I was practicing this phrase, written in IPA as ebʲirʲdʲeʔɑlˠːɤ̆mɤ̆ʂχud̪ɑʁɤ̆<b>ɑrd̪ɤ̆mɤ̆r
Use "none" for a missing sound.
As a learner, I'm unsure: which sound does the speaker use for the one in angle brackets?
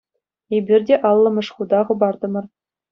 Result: b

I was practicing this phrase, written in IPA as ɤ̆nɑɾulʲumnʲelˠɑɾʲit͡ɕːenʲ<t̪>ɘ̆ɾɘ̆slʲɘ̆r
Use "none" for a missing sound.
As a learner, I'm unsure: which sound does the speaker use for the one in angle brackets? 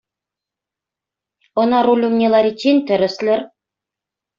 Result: t̪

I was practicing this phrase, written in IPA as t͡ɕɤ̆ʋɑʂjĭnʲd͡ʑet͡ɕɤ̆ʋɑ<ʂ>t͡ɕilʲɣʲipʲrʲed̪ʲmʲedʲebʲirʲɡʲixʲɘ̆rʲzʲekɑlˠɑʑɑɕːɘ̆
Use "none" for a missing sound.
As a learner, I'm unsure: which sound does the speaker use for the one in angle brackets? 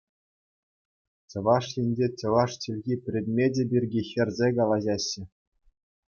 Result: ʂ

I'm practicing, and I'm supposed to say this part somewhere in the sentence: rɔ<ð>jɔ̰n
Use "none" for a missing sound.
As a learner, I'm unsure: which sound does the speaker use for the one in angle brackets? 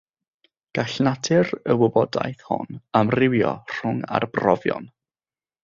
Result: v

